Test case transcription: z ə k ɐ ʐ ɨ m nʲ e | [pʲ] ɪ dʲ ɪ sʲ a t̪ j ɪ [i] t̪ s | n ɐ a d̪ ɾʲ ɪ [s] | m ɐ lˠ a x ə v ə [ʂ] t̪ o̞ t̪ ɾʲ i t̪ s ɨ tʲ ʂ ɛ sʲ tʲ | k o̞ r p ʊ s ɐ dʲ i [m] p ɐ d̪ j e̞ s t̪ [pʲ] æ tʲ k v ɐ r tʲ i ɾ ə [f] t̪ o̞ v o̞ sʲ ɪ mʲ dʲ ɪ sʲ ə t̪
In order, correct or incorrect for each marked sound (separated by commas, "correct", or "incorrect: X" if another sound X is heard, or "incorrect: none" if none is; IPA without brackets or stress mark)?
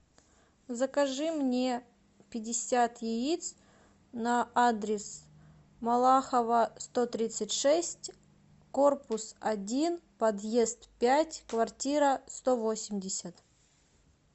correct, correct, correct, incorrect: s, incorrect: n, correct, incorrect: s